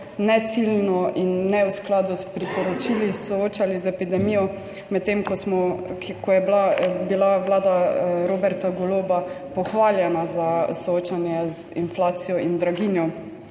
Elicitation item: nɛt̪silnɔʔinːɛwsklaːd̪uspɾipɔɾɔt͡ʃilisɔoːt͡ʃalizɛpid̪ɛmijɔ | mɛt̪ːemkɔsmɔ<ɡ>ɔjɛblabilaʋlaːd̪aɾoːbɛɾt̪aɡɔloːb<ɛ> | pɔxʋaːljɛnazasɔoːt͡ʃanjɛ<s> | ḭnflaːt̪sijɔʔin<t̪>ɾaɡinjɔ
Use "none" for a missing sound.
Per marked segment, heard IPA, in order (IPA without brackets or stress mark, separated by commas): k, a, z, d̪